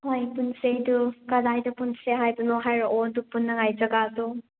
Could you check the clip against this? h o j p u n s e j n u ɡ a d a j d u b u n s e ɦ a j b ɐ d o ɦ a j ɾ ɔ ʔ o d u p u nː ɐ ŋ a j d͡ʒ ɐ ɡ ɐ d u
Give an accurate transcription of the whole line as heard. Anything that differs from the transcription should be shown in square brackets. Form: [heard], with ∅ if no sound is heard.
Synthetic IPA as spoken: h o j p u n s e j [d] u [k] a d a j d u [p] u n s e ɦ a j b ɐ [n] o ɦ a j ɾ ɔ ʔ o d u p u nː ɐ ŋ a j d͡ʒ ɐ ɡ [a] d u